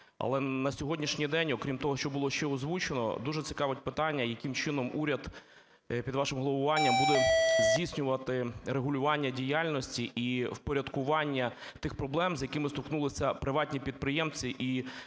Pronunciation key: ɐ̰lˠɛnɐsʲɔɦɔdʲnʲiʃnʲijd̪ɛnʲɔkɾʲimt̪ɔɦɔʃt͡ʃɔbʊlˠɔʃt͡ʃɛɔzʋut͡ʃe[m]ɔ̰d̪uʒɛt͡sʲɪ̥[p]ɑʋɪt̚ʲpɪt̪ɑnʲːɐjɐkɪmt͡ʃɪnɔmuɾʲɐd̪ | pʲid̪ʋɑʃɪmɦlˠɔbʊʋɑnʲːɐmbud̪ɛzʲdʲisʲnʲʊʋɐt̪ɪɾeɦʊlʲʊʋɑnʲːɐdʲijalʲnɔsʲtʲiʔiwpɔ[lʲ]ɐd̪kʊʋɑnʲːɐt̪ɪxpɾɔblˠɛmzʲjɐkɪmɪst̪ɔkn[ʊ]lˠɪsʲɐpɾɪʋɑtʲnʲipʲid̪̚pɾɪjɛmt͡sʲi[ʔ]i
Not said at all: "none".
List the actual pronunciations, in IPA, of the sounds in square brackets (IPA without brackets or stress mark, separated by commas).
n, k, ɾʲ, u, ʔ